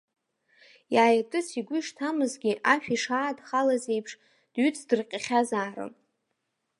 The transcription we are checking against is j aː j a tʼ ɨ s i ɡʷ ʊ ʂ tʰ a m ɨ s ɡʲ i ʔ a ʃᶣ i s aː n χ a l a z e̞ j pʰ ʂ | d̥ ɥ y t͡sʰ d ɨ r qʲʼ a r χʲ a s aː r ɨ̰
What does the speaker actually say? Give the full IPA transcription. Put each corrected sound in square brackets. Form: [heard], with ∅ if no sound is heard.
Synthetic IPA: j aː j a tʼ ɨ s i ɡʷ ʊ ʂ tʰ a m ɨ [z] ɡʲ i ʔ a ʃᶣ i [ʂ] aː [d] χ a l a z e̞ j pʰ ʂ | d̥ ɥ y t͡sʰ d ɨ r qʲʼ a [∅] χʲ a [z] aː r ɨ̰